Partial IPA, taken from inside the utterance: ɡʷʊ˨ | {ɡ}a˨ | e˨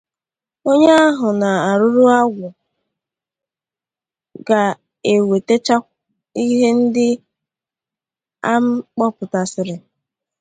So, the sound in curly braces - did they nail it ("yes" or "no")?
yes